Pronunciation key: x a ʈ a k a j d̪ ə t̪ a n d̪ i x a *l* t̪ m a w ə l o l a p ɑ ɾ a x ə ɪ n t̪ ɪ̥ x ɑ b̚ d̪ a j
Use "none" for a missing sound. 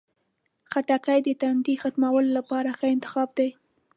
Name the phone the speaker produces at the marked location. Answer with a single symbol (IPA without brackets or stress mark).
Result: none